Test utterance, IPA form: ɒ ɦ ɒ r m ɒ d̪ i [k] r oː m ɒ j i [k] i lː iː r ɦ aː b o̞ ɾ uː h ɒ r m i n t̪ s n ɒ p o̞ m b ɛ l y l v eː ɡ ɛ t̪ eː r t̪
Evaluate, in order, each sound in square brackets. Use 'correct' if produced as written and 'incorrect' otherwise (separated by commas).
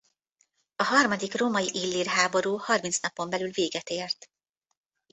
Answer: correct, incorrect